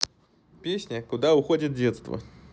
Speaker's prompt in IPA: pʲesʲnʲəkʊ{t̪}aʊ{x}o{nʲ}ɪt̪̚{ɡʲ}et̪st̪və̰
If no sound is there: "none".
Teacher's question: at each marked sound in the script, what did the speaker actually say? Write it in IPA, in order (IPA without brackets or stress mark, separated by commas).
d̪, x, dʲ, dʲ